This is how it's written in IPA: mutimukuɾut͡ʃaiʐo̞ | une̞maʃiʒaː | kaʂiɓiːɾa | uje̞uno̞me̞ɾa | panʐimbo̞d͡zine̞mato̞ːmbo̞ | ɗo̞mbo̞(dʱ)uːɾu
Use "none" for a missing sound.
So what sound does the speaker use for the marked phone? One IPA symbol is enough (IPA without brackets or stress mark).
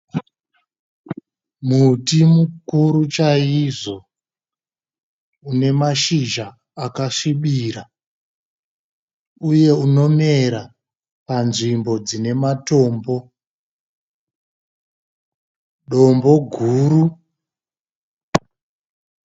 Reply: ɡʱ